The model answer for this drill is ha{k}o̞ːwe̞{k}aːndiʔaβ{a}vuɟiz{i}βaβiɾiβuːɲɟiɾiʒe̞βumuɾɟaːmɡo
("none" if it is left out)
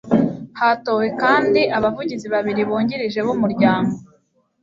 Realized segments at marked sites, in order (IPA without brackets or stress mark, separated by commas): t, k, a, i